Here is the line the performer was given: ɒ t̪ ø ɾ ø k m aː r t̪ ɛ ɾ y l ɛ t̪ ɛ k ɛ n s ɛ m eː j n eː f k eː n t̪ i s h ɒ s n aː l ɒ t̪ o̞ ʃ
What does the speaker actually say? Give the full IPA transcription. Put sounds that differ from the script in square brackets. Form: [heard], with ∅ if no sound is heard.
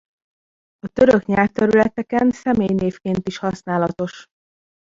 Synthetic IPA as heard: ɒ t̪ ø ɾ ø k [ɲ] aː r t̪ ɛ ɾ y l ɛ t̪ ɛ k ɛ n s ɛ m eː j n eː f k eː n t̪ i [ʃ] h ɒ s n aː l ɒ t̪ o̞ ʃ